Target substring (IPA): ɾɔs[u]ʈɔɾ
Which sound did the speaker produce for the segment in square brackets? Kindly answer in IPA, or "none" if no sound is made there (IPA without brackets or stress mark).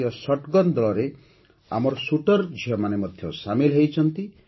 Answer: u